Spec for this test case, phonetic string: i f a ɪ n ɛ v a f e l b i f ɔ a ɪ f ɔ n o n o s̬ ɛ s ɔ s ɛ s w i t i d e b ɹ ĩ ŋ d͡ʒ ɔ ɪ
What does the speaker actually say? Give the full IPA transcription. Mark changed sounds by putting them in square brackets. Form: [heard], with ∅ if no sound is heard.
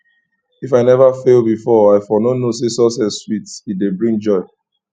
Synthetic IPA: i f a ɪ n ɛ v a f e l b i f ɔ a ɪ f ɔ n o n o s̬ [e] s ɔ s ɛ s w i t i d e b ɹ ĩ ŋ d͡ʒ ɔ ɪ